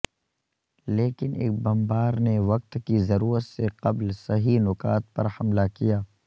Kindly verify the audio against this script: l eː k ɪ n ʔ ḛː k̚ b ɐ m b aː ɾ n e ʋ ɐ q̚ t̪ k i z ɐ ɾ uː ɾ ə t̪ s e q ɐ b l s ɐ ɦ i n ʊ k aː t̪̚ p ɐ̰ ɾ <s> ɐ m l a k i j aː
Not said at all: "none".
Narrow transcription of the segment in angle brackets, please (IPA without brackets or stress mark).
h